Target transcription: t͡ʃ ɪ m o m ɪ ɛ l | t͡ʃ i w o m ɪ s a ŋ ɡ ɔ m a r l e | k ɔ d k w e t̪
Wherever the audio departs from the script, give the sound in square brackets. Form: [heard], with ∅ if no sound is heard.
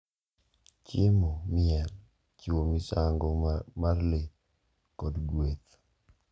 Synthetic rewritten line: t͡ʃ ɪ m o m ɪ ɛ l | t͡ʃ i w o m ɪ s a ŋ ɡ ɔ m a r l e | k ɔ d [ɡ] w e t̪